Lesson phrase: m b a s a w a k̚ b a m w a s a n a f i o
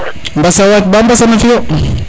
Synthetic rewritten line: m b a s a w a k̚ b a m b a s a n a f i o